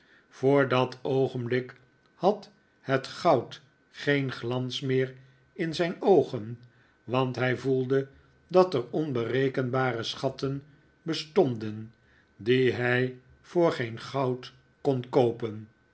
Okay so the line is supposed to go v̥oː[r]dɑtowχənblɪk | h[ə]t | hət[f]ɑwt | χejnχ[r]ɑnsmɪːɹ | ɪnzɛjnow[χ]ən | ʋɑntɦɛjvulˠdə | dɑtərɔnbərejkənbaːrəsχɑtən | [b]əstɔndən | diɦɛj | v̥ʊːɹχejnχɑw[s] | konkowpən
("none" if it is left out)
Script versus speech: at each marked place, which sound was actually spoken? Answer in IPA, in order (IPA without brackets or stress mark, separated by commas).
ɹ, ɑ, χ, l, χ, b, t